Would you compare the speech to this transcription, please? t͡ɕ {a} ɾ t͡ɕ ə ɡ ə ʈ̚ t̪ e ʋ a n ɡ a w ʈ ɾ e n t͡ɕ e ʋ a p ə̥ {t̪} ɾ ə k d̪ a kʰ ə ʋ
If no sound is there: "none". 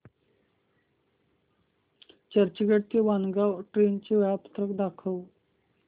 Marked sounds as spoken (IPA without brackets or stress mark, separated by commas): ə, t̪